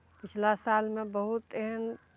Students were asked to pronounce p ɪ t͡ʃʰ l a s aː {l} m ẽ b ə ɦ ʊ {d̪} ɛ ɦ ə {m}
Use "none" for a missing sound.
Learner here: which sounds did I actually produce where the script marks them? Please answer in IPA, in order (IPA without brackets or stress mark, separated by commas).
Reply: l, t̪, n